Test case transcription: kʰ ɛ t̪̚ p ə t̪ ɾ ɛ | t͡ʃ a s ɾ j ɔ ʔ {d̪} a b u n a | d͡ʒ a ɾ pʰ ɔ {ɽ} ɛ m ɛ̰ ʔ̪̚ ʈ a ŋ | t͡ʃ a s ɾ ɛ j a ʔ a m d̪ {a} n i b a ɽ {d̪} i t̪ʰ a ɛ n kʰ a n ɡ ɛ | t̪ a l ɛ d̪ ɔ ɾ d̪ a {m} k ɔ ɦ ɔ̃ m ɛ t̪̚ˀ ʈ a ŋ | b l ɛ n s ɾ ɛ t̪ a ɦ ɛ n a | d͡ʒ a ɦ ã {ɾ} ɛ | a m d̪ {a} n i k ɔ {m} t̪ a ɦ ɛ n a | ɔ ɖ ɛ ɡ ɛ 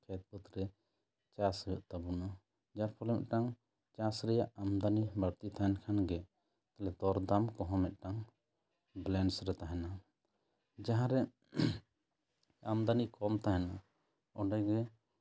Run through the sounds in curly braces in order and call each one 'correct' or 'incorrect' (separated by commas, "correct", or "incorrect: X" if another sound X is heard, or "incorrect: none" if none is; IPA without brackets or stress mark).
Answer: incorrect: t̪, incorrect: l, correct, incorrect: t̪, correct, correct, correct, correct